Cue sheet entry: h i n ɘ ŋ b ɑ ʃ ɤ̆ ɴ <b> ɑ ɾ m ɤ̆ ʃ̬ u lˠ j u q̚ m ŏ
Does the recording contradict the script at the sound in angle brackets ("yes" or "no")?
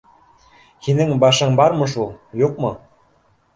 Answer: no